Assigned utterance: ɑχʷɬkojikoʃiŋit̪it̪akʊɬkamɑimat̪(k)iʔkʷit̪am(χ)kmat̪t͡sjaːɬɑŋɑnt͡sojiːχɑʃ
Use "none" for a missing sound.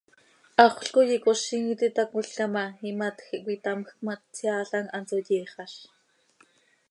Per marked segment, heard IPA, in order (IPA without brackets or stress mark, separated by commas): x, x